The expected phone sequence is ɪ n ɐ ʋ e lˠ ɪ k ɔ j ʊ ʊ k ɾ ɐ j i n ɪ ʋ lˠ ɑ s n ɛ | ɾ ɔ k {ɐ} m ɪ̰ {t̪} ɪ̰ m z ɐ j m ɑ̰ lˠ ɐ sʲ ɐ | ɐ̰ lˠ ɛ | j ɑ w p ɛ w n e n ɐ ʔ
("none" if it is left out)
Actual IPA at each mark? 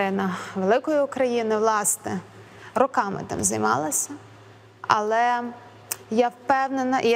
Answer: ɑ, t̪

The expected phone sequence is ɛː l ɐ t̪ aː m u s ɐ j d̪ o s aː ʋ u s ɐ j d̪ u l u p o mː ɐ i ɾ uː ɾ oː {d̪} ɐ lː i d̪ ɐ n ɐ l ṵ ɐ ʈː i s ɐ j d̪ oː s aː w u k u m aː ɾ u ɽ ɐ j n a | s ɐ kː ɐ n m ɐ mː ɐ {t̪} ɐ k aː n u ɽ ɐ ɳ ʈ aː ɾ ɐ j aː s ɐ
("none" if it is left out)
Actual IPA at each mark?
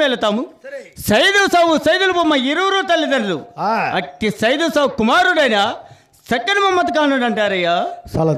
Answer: t̪, t̪

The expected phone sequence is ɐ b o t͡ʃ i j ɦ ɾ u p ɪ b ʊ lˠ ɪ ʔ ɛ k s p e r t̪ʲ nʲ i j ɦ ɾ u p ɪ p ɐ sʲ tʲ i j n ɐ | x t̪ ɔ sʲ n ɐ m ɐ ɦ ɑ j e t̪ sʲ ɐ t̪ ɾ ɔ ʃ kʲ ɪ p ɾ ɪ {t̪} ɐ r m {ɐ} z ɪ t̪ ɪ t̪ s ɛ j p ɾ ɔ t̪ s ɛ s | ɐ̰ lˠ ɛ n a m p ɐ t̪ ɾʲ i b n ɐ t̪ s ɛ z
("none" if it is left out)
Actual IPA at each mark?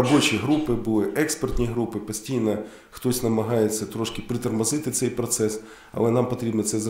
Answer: t̪, ɐ

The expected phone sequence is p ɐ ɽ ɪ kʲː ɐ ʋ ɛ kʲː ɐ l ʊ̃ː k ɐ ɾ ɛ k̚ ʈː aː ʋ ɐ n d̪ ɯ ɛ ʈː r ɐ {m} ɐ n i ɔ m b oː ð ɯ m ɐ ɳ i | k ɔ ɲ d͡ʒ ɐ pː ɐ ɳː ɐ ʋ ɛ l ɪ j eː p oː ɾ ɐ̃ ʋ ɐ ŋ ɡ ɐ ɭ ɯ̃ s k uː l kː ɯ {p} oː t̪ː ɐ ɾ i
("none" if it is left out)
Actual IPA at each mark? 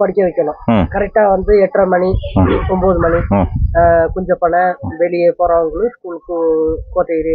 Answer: m, k

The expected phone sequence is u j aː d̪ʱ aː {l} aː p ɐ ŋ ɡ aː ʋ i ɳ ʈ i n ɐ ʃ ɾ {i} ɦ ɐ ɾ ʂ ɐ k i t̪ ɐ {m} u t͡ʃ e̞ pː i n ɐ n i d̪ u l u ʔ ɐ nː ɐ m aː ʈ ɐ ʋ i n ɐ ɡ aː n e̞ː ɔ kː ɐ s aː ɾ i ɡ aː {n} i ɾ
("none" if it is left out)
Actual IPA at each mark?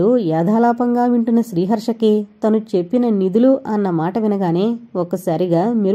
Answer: l, iː, n, m

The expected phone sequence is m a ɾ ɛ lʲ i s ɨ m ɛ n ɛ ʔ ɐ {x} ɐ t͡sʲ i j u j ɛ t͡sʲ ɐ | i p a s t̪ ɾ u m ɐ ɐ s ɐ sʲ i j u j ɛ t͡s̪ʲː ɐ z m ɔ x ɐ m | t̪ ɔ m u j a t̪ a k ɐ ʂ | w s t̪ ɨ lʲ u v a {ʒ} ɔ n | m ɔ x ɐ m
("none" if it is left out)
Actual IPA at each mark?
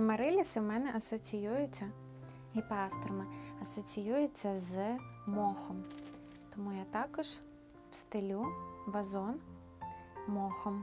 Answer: s, z

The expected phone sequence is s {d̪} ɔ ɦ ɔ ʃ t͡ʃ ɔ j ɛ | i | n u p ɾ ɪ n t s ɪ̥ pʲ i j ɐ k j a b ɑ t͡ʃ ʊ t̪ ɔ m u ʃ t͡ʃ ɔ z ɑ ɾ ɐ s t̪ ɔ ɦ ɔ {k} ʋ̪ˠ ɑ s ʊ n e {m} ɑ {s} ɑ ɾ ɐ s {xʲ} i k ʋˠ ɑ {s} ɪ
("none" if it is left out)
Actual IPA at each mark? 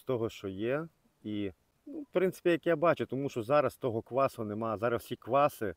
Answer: t̪, k, m, z, sʲ, s

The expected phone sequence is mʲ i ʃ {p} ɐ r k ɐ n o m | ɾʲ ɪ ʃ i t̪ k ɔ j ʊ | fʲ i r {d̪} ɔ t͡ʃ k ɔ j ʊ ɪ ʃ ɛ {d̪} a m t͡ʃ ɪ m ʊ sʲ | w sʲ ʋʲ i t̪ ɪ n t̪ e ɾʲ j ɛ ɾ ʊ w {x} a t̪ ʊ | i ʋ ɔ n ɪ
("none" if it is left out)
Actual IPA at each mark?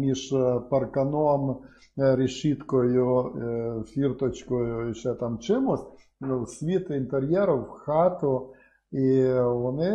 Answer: p, t̪, t̪, x

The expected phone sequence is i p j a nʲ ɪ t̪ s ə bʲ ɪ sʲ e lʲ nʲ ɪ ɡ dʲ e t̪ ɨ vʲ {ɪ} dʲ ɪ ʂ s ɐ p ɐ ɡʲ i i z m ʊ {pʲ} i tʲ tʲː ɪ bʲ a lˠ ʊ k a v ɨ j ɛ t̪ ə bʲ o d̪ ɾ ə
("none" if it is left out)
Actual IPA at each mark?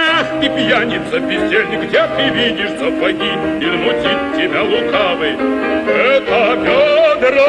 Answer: i, tʲ

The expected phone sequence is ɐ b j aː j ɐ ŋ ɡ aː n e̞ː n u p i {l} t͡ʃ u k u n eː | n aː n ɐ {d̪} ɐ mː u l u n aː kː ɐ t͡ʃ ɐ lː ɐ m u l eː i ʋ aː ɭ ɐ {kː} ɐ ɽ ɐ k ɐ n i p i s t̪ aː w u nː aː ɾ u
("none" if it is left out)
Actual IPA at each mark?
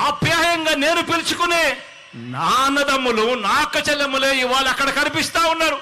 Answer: l, d̪, kː

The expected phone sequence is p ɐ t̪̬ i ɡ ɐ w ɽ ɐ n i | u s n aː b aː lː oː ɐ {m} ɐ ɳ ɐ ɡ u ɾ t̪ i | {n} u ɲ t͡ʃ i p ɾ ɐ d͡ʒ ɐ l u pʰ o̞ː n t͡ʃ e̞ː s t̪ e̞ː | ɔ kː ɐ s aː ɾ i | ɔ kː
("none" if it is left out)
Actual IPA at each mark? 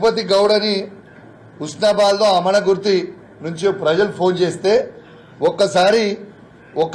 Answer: m, n

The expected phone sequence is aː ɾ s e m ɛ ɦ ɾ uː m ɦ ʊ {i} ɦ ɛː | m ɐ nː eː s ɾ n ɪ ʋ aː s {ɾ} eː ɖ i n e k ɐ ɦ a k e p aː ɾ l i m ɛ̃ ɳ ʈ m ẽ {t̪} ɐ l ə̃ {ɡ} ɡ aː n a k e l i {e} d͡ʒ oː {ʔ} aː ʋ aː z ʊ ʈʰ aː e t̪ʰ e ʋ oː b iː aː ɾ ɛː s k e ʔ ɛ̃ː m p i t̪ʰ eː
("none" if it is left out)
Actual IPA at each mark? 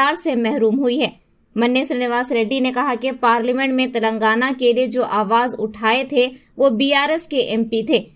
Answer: i, ɾ, t̪, ŋ, e, ʔ

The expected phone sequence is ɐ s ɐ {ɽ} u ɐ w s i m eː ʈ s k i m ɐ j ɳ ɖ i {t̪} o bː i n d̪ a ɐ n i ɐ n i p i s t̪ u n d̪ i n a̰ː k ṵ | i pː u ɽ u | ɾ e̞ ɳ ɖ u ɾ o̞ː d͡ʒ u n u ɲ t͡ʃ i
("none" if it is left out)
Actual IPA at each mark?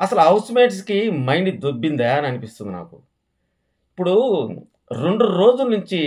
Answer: l, d̪

